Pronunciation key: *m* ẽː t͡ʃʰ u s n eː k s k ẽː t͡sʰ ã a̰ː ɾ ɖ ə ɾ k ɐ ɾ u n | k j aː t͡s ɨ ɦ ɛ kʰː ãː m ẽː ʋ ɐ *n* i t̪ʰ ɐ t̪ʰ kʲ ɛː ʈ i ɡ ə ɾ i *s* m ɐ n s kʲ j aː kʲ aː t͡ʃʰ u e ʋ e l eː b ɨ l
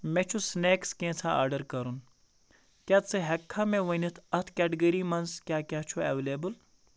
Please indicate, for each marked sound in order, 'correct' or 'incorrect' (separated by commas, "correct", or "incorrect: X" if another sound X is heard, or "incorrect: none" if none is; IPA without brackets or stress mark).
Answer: correct, correct, incorrect: none